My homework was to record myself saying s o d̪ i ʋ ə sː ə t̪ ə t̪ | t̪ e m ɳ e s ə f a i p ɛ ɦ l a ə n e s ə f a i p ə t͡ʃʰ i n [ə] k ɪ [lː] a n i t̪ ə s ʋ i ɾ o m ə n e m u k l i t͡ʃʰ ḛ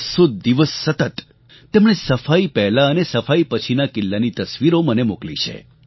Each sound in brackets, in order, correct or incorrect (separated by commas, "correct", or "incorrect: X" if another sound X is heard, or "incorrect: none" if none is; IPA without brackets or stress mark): incorrect: a, correct